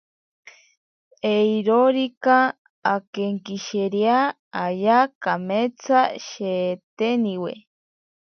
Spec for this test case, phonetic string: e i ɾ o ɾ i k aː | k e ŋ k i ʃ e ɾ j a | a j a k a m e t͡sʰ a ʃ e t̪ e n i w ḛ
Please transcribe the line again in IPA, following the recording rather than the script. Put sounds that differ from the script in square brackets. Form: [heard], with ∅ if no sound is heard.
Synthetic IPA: e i ɾ o ɾ i k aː | k e ŋ k i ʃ e ɾ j a | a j a k a m e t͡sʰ a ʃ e t̪ e n i w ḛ